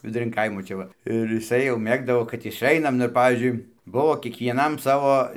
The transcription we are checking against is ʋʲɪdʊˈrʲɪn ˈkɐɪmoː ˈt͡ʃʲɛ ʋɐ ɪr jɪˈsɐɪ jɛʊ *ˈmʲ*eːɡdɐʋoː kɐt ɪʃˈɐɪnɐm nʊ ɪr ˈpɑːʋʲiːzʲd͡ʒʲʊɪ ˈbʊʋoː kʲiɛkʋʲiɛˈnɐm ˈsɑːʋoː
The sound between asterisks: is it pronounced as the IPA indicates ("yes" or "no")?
yes